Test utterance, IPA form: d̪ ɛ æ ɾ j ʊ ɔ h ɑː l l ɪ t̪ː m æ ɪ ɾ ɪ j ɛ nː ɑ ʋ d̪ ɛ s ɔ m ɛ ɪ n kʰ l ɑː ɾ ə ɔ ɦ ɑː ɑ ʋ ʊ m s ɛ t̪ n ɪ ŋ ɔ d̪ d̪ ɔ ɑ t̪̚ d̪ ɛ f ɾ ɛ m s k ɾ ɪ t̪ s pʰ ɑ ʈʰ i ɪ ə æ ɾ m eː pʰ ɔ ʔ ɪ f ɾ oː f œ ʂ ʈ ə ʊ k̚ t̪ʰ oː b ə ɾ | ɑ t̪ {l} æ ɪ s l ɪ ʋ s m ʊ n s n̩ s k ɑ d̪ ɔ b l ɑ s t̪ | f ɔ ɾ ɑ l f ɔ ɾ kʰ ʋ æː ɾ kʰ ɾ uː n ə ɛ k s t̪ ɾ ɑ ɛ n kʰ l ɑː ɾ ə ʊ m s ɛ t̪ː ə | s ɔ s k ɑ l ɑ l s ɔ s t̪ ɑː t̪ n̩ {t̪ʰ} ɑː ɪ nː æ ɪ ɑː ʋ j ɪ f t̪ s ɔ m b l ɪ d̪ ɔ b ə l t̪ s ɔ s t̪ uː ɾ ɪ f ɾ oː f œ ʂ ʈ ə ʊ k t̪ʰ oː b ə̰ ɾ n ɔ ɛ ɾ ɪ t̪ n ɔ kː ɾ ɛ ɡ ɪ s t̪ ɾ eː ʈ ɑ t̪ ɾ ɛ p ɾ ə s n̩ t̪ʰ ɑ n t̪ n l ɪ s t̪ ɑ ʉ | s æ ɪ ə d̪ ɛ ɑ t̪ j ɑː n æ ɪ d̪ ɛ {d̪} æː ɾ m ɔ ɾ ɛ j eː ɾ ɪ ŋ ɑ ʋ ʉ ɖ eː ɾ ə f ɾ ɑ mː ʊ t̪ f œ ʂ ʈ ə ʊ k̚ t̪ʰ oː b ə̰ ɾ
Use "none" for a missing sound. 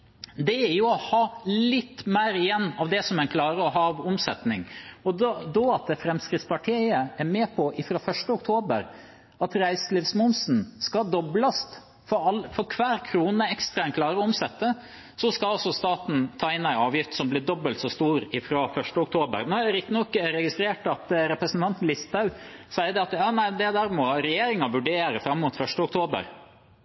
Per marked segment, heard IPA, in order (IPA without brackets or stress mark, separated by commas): ɾ, t̪ʰ, d̪